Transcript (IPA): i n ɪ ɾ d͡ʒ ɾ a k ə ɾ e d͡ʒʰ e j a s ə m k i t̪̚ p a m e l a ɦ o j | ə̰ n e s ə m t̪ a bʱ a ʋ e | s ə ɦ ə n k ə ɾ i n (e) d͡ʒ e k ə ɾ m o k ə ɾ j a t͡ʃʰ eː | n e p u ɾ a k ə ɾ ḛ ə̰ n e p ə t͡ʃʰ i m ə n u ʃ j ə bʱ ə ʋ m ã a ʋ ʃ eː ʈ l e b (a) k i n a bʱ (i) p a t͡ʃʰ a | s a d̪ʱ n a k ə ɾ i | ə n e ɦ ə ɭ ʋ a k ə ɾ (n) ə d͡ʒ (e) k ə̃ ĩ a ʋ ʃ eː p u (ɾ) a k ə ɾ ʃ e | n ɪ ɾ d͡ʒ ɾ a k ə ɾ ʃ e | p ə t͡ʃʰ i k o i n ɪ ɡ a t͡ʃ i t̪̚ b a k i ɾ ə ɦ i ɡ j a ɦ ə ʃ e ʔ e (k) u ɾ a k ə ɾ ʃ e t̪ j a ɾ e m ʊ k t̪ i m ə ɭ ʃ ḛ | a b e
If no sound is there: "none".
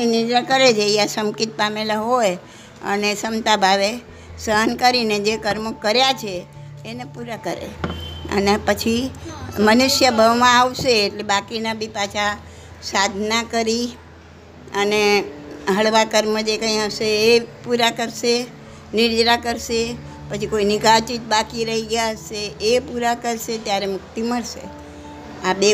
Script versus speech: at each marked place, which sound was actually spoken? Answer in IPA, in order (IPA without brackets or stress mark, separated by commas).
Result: e, a, i, m, e, ɾ, p